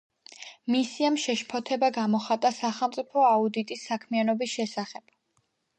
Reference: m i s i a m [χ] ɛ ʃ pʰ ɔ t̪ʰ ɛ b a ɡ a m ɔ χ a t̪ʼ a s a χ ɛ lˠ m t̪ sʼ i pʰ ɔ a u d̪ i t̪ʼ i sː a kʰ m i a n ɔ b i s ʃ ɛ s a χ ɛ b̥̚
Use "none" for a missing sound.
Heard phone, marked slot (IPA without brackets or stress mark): ʃ